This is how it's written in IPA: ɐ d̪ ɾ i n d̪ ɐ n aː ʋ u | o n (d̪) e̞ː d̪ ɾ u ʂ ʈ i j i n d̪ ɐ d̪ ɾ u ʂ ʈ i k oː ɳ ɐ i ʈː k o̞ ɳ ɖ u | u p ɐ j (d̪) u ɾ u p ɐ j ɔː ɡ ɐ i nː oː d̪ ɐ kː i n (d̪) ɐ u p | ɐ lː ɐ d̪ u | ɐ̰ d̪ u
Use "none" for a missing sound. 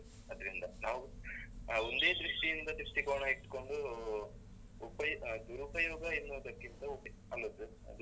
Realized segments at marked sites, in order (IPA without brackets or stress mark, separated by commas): d̪, d̪, t̪